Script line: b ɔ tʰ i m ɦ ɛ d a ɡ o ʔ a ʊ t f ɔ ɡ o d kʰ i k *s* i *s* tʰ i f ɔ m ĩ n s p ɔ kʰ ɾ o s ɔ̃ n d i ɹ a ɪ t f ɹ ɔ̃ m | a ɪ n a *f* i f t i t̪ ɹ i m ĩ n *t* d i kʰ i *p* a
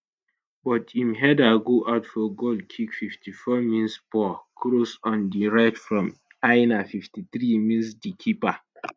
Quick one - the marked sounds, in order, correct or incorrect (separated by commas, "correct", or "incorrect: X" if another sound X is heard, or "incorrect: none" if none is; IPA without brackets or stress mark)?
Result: incorrect: f, incorrect: f, correct, incorrect: s, correct